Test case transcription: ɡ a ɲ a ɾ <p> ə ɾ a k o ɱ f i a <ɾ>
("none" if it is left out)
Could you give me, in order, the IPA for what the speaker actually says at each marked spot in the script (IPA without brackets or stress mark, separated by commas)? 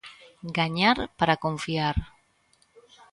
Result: p, ɾ